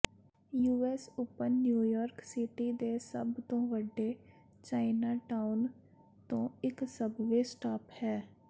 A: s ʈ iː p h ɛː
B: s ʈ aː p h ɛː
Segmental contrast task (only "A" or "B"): B